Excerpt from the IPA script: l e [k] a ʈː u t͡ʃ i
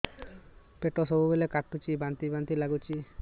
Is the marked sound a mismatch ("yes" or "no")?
no